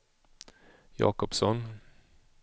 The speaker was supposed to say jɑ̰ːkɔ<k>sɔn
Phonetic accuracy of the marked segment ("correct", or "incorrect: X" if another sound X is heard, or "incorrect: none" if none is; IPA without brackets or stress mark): incorrect: p